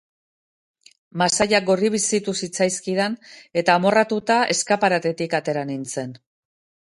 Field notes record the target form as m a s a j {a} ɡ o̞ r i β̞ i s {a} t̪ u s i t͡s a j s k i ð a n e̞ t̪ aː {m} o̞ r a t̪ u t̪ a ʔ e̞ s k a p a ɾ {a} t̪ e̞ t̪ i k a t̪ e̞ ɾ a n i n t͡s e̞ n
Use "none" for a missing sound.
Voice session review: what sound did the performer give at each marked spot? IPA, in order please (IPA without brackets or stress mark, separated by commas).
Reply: a, i, m, a